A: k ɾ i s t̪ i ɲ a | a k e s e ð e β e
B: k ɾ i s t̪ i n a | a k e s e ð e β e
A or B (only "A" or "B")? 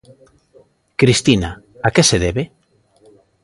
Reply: B